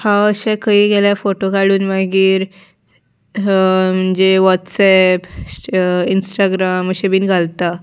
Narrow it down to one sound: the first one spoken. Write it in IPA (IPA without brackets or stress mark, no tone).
h